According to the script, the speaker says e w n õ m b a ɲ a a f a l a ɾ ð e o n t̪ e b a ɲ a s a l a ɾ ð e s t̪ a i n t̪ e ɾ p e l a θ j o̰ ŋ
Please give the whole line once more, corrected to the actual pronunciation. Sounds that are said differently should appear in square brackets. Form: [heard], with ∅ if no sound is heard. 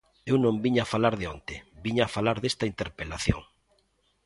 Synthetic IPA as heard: e w n õ m b [i] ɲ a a f a l a ɾ ð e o n t̪ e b [i] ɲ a [f] a l a ɾ ð e s t̪ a i n t̪ e ɾ p e l a θ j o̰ ŋ